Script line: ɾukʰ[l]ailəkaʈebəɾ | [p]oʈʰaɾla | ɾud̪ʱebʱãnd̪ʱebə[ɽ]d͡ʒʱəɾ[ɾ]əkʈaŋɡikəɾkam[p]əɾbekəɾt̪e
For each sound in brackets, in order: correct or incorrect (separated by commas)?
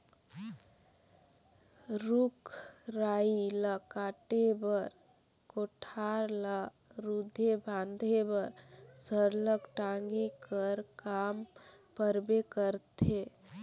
incorrect, incorrect, incorrect, incorrect, correct